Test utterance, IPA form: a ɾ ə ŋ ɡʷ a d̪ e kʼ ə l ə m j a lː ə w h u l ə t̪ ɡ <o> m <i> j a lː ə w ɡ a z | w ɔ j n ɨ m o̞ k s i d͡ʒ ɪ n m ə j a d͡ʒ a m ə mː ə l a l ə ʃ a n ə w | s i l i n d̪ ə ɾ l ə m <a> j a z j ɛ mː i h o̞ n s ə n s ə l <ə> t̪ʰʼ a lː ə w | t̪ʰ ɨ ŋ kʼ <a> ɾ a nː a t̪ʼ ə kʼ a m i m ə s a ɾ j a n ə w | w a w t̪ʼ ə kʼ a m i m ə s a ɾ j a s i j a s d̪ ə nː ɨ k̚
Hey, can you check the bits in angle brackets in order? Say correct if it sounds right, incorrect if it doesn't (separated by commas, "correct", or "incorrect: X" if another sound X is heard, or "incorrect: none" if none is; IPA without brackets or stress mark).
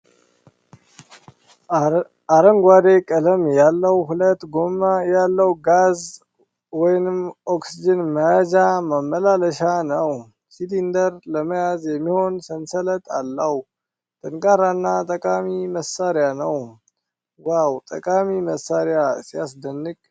correct, incorrect: a, incorrect: ə, correct, correct